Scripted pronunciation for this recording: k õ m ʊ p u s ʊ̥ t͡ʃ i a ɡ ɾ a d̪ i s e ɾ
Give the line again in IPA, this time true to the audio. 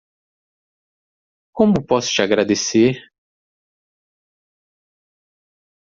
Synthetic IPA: k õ m ʊ p ɔ s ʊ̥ t͡ʃ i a ɡ ɾ a d̪ e s e ɾ